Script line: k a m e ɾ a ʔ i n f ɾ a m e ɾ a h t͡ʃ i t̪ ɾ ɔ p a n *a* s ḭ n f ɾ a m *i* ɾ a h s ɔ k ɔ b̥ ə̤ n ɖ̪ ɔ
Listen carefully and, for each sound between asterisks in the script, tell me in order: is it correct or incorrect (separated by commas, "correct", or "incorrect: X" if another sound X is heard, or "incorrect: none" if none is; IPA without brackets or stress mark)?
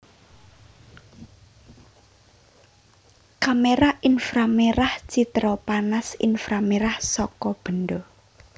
correct, incorrect: e